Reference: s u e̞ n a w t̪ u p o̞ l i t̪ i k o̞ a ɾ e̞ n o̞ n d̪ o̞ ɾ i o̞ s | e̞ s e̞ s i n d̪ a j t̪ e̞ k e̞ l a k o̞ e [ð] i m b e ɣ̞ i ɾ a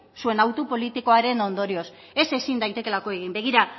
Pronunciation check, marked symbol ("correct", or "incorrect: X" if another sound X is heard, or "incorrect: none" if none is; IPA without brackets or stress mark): incorrect: ɣ